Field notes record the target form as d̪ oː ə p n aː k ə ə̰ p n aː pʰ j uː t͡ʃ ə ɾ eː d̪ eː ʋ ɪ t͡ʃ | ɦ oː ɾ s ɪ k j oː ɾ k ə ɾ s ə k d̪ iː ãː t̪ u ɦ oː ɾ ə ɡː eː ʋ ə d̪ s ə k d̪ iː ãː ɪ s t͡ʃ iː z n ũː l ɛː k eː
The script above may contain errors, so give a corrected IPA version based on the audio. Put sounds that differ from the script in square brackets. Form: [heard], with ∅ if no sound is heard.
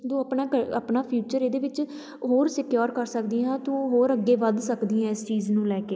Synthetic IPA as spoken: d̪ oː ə p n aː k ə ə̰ p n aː pʰ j uː t͡ʃ ə ɾ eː d̪ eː ʋ ɪ t͡ʃ | ɦ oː ɾ s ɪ k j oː ɾ k ə ɾ s ə k d̪ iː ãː t̪ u ɦ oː ɾ ə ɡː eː ʋ ə d̪ s ə k d̪ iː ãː ɪ s t͡ʃ iː z n ũː l ɛː k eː

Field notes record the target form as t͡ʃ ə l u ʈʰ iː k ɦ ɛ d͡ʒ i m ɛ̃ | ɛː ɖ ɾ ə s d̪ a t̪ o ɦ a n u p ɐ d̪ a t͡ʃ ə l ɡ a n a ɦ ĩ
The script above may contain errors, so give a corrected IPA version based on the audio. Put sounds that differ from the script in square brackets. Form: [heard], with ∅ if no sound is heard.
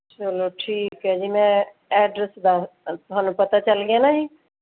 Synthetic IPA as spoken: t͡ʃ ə l [o] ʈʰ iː k ɦ ɛ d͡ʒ i m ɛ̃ | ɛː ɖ ɾ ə s d̪ a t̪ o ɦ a n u p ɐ [t̪] a t͡ʃ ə l ɡ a n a ɦ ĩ

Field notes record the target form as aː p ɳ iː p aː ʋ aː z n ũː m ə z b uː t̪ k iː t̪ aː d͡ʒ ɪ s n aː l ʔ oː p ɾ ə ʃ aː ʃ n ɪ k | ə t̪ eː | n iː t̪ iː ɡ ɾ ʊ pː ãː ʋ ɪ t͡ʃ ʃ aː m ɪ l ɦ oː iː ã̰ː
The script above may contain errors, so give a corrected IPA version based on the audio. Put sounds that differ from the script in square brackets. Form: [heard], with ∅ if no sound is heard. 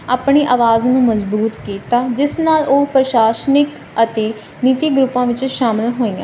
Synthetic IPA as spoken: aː p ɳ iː [ʔ] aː ʋ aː z n ũː m ə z b uː t̪ k iː t̪ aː d͡ʒ ɪ s n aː l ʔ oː p ɾ ə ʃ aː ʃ n ɪ k | ə t̪ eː | n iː t̪ iː ɡ ɾ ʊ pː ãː ʋ ɪ t͡ʃ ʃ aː m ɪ l ɦ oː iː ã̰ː

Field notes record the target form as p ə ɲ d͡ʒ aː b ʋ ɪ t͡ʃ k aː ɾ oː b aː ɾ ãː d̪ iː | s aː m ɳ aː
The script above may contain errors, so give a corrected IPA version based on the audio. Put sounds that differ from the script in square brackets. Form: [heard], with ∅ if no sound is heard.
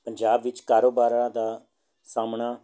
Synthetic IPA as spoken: p ə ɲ d͡ʒ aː b ʋ ɪ t͡ʃ k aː ɾ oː b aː ɾ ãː d̪ [aː] | s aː m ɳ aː

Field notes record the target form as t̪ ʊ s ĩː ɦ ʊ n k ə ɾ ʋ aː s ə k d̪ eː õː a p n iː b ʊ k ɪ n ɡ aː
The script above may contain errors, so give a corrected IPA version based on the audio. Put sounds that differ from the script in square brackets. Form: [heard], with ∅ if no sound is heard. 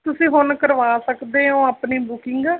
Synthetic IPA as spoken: t̪ ʊ s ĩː ɦ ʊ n k ə ɾ ʋ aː s ə k d̪ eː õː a p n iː b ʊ k ɪ [ŋ] ɡ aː

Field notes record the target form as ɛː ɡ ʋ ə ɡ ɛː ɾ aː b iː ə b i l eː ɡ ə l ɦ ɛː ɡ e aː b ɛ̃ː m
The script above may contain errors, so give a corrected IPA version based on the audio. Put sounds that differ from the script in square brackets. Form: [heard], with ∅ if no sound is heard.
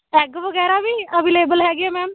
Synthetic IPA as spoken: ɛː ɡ ʋ ə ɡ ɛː ɾ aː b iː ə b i l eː [b] ə l ɦ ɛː ɡ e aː [m] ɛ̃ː m

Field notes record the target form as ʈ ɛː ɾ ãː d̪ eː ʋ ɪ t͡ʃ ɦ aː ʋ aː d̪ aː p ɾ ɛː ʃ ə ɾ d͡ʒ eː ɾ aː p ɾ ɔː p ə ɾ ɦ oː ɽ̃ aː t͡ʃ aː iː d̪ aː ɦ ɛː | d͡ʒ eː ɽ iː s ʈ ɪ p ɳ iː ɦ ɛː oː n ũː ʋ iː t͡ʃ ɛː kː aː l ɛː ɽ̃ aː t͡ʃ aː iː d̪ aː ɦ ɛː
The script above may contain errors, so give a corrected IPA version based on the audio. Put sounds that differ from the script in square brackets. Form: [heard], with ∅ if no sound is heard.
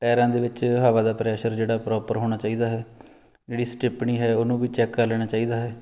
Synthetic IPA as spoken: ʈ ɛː ɾ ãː d̪ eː ʋ ɪ t͡ʃ ɦ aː ʋ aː d̪ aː p ɾ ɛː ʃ ə ɾ d͡ʒ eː [ɽ] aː p ɾ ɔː p ə ɾ ɦ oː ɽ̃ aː t͡ʃ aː iː d̪ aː ɦ ɛː | d͡ʒ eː ɽ iː s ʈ ɪ p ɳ iː ɦ ɛː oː n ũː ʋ iː t͡ʃ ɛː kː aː l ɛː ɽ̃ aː t͡ʃ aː iː d̪ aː ɦ ɛː

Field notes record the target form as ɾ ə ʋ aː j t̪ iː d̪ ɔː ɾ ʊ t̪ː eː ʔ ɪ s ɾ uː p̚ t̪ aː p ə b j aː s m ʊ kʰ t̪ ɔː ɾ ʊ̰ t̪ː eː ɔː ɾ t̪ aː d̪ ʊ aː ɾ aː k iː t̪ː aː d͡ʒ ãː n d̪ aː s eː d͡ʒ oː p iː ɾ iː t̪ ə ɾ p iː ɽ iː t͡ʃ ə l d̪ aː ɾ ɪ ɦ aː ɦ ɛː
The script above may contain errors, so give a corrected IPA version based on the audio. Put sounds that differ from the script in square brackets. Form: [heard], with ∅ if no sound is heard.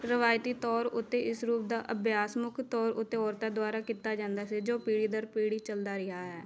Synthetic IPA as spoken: ɾ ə ʋ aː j t̪ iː [t̪] ɔː ɾ ʊ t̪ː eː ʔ ɪ s ɾ uː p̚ [d̪] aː [ʔ] ə b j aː s m ʊ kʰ t̪ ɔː ɾ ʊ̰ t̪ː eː ɔː ɾ t̪ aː d̪ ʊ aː ɾ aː k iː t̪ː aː d͡ʒ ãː n d̪ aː s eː d͡ʒ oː p iː [ɽ] iː [d̪] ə ɾ p iː ɽ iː t͡ʃ ə l d̪ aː ɾ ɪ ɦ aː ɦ ɛː

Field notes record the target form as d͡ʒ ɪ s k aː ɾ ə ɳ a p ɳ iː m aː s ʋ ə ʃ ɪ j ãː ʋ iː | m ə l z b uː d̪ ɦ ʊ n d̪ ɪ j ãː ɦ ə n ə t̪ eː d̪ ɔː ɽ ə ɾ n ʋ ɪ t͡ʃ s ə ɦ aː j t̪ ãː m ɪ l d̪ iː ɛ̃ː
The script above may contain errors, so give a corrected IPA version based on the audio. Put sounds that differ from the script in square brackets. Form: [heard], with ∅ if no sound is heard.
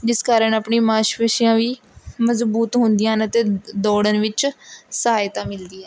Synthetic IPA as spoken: d͡ʒ ɪ s k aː ɾ ə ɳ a p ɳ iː m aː [ʃ] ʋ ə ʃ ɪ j ãː ʋ iː | m ə [∅] z b uː [t̪] ɦ ʊ n d̪ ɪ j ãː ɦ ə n ə t̪ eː d̪ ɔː ɽ ə [∅] n ʋ ɪ t͡ʃ s ə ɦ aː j t̪ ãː m ɪ l d̪ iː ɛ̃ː

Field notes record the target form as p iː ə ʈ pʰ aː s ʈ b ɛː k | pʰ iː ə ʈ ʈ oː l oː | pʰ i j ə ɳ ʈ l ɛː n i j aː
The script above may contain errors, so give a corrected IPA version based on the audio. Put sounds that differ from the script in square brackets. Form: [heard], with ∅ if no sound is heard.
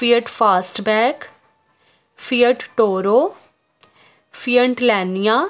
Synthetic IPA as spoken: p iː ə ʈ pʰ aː s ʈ b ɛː k | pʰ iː ə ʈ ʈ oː [ɾ] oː | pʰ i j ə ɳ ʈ l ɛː n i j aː

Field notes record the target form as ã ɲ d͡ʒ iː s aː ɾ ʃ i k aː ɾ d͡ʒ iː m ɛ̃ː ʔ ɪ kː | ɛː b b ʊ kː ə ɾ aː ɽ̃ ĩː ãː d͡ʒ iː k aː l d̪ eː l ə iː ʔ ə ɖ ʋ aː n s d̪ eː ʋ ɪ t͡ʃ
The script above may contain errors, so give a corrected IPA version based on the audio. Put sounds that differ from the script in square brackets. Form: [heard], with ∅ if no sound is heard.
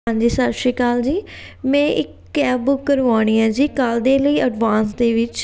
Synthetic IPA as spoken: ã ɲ d͡ʒ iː s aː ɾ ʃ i k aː [l] d͡ʒ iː m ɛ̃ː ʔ ɪ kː | ɛː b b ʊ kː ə ɾ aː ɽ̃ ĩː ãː d͡ʒ iː k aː l d̪ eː l ə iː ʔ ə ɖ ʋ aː n s d̪ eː ʋ ɪ t͡ʃ

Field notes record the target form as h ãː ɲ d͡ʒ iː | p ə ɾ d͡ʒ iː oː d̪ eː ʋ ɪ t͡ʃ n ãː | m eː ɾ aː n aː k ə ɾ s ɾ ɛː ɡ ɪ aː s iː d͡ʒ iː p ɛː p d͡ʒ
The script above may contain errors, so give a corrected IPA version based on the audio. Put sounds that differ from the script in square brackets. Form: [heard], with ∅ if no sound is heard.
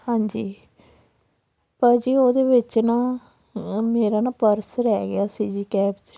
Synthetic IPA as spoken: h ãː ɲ d͡ʒ iː | p ə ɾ d͡ʒ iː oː d̪ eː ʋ ɪ t͡ʃ n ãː | m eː ɾ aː n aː [p] ə ɾ s ɾ ɛː ɡ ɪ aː s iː d͡ʒ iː [k] ɛː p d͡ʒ

